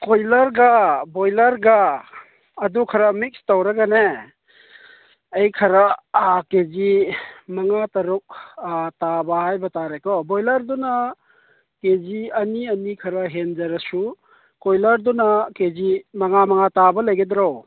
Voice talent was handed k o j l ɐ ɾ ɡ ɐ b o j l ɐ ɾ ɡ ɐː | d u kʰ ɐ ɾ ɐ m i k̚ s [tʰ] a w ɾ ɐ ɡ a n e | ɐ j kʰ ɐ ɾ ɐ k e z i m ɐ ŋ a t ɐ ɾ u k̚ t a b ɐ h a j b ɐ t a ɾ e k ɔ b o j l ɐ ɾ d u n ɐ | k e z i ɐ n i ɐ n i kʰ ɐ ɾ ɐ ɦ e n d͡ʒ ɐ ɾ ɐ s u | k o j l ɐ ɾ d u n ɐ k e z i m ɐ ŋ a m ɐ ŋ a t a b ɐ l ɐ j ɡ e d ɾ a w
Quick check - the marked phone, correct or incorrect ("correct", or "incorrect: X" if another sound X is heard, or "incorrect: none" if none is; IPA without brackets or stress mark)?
incorrect: t